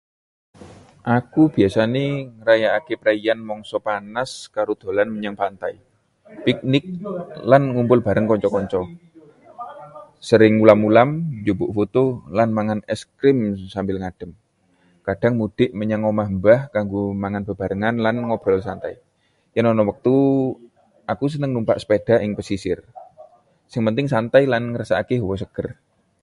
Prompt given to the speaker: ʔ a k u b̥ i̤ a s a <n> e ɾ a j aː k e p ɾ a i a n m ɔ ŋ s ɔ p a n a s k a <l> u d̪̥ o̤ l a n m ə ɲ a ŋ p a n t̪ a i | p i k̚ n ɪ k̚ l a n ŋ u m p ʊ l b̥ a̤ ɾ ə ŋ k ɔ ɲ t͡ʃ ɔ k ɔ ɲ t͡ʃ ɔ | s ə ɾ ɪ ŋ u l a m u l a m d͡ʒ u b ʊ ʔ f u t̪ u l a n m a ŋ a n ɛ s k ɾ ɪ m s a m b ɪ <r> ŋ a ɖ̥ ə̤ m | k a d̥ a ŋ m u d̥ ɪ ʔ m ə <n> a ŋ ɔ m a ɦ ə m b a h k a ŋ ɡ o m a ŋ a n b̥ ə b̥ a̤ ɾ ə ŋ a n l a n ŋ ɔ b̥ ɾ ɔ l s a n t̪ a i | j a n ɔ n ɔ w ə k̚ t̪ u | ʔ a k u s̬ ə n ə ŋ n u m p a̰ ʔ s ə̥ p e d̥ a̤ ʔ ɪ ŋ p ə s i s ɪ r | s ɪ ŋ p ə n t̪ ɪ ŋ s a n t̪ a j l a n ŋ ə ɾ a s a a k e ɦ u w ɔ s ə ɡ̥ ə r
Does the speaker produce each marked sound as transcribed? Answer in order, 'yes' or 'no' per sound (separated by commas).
yes, no, no, no